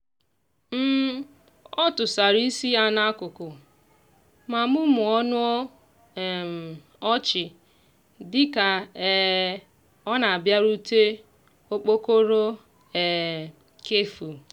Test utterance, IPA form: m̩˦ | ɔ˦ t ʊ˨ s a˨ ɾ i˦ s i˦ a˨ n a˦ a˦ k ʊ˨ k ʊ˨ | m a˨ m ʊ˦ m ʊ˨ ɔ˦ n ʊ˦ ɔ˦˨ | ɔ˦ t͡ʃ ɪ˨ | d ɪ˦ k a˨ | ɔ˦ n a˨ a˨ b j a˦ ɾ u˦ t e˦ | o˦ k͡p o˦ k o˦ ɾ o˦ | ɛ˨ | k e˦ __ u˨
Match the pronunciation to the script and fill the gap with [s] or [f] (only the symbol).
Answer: f